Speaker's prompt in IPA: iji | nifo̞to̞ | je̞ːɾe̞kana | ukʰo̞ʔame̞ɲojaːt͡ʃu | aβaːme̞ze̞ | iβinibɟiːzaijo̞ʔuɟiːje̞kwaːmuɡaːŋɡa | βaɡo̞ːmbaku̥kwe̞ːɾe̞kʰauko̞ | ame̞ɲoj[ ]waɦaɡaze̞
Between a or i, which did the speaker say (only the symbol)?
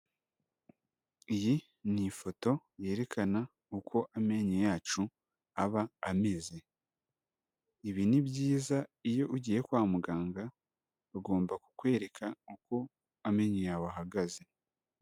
a